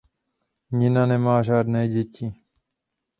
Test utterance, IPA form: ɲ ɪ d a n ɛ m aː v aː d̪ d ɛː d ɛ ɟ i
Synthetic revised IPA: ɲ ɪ n a n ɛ m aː ʒ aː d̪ n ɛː ɟ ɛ c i